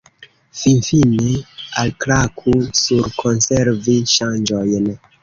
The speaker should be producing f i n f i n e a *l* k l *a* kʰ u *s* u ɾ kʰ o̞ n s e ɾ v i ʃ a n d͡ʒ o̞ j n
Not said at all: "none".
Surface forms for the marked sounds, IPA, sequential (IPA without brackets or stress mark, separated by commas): l, a, s